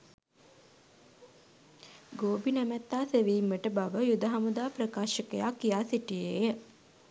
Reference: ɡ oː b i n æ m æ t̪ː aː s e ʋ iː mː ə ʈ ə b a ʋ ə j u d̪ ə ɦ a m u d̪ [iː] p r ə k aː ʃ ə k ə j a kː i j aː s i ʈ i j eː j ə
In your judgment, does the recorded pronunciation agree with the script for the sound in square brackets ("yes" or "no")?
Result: no